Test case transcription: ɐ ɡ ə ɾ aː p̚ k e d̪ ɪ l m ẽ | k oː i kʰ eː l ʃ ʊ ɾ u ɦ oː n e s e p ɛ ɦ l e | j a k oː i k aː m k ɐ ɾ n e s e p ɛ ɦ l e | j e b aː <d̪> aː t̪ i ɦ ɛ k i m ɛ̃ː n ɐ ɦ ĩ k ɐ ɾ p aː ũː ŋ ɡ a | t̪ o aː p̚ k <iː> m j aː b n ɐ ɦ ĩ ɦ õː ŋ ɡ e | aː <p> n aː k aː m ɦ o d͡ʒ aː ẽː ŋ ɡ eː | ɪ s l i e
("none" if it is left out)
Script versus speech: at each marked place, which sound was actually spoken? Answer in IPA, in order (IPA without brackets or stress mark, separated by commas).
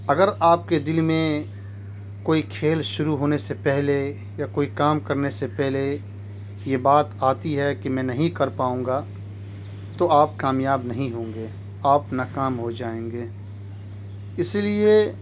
t̪, aː, p